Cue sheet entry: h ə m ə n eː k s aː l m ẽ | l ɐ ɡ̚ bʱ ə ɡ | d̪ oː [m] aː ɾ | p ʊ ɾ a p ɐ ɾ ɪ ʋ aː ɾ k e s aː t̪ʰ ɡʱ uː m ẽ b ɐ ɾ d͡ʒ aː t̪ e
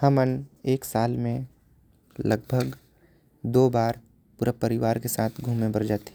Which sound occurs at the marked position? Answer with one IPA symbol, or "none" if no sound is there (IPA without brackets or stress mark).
b